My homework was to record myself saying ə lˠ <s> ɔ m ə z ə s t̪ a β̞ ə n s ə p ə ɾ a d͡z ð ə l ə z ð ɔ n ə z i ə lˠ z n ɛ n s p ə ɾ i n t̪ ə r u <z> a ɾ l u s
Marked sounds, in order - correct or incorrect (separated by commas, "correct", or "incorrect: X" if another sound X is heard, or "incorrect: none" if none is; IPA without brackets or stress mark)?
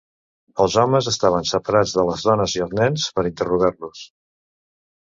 incorrect: z, incorrect: ɣ